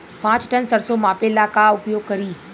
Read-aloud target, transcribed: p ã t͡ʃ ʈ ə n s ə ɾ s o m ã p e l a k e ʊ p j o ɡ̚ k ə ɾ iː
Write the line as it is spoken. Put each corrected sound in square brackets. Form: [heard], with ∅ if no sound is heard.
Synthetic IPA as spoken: p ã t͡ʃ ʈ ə n s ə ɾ s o m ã p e l a k [a] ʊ p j o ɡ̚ k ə ɾ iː